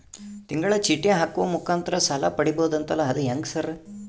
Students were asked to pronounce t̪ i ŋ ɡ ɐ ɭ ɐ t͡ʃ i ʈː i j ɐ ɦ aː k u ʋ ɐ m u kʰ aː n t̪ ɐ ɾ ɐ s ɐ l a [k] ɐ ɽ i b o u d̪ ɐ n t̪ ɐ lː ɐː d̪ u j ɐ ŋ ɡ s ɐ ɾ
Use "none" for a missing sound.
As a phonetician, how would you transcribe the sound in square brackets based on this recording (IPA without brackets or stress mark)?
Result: p